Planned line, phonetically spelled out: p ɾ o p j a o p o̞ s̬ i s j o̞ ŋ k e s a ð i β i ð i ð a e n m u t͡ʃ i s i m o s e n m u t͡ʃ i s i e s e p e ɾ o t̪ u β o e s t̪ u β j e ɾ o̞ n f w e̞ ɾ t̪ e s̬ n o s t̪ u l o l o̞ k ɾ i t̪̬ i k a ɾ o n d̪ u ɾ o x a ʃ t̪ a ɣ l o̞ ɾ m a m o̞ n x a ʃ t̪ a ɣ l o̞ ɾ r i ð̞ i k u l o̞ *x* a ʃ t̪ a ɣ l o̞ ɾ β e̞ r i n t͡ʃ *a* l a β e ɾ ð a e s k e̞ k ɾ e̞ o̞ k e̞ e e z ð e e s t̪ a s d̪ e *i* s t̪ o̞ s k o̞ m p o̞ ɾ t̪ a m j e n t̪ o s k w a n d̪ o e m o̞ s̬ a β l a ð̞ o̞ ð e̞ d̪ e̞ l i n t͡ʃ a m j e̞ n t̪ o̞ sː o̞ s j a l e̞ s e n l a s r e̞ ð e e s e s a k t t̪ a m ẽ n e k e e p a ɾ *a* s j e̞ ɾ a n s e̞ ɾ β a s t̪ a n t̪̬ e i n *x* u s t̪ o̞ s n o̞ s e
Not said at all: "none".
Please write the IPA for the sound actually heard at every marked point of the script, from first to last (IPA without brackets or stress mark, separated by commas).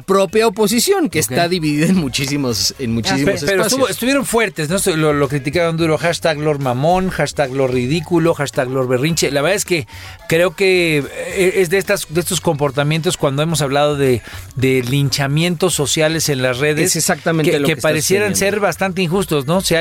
x, e, e, e, x